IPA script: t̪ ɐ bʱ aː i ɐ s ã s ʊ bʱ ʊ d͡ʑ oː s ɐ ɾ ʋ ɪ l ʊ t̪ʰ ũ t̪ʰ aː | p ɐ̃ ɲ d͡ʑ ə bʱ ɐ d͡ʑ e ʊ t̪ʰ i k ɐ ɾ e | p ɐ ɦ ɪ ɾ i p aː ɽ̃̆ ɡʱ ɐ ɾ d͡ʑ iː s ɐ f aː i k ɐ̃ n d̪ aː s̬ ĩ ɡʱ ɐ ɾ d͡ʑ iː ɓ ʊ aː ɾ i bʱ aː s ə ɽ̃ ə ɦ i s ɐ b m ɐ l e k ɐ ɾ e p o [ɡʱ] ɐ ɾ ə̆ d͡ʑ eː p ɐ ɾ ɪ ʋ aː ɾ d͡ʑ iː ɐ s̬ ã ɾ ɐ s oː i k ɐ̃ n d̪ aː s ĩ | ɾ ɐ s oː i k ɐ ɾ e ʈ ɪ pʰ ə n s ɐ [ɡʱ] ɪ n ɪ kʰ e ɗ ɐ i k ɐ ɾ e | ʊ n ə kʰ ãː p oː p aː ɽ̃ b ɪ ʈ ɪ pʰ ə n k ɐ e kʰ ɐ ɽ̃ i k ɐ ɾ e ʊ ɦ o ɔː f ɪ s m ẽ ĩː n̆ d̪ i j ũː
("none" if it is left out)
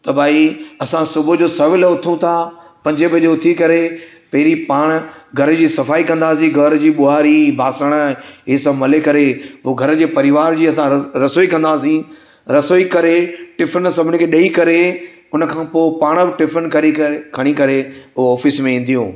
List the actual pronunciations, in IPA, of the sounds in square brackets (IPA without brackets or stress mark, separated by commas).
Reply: ɡʱ, bʱ